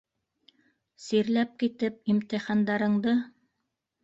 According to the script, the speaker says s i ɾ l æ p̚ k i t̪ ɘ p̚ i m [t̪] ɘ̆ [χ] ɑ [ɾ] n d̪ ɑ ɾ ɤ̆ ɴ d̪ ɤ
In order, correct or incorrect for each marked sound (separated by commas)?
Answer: correct, correct, incorrect